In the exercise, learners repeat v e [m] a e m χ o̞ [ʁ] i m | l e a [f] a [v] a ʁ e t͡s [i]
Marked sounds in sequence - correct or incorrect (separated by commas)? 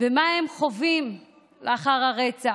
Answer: correct, incorrect, incorrect, incorrect, incorrect